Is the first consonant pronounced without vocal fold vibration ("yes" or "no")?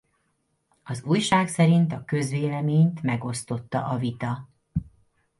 no